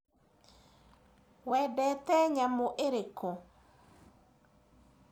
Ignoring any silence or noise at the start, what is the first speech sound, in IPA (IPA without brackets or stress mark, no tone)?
w